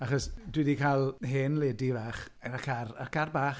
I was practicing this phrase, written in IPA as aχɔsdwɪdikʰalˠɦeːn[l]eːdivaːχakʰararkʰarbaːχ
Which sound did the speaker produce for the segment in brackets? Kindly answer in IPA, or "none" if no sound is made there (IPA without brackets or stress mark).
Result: l